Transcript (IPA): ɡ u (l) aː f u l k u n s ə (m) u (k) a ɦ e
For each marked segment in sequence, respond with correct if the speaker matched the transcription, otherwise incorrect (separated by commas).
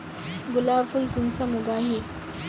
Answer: correct, correct, incorrect